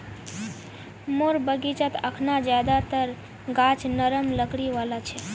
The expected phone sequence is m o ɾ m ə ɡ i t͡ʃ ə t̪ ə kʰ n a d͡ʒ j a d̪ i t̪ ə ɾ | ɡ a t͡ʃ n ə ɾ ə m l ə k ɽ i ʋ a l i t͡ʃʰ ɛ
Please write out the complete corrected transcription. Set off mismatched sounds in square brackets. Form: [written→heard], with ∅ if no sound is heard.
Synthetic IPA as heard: m o ɾ [m→b] ə ɡ i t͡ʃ ə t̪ ə kʰ n a d͡ʒ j a d̪ [i→a] t̪ ə ɾ | ɡ a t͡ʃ n ə ɾ ə m l ə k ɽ i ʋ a l [i→a] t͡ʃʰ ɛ